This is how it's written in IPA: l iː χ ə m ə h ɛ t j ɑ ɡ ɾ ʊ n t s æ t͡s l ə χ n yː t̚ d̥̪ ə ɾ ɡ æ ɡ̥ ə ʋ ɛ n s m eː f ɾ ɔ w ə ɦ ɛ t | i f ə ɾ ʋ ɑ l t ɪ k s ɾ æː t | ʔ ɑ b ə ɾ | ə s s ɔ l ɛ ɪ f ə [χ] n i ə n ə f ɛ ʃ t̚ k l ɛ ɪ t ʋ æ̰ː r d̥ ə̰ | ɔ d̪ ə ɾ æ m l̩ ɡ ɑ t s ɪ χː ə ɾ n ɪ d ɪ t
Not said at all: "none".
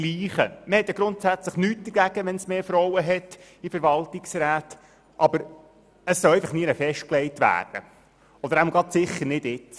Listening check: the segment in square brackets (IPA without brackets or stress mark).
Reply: χ